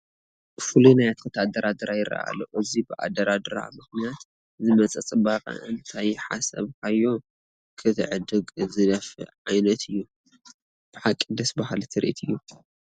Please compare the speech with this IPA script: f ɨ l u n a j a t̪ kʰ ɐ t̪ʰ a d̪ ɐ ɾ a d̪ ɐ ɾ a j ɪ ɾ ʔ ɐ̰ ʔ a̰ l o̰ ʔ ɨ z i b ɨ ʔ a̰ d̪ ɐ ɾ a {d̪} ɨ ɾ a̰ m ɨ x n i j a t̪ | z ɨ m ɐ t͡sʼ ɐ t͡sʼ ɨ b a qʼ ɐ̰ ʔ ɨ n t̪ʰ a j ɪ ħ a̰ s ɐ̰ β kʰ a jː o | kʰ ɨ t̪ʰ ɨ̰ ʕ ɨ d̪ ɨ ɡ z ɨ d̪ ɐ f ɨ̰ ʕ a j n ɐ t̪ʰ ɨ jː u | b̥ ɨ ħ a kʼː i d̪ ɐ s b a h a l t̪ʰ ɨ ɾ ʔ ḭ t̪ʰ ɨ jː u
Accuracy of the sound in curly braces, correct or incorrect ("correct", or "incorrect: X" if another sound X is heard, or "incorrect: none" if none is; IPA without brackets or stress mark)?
correct